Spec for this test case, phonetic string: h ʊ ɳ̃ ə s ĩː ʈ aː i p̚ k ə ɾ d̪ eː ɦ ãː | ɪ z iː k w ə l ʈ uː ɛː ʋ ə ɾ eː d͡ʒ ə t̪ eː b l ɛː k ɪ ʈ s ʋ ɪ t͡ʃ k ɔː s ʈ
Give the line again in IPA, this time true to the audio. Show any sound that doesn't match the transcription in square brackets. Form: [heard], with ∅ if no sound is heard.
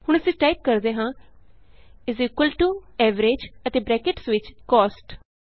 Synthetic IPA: h ʊ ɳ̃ ə s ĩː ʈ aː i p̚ k ə ɾ d̪ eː ɦ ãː | ɪ z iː k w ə l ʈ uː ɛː ʋ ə ɾ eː d͡ʒ ə t̪ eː b [ɾ] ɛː k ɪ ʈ s ʋ ɪ t͡ʃ k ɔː s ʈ